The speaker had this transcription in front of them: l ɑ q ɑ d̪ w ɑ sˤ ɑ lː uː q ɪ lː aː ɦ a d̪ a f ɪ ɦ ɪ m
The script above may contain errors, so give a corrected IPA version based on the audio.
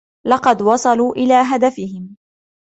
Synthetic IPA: l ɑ q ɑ d̪ w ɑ sˤ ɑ l uː ʔ ɪ l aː ɦ a d̪ a f ɪ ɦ ɪ m